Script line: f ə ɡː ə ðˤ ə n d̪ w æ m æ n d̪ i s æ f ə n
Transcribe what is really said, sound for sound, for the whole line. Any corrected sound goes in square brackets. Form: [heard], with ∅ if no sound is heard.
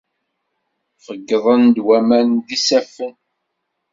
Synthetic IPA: f ə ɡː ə ðˤ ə n d̪ w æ m æ n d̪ i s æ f ə n